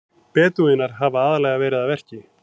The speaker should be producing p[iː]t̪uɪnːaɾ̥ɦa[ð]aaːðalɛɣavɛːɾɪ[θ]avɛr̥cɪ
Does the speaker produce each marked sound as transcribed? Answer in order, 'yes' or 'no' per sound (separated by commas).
no, no, no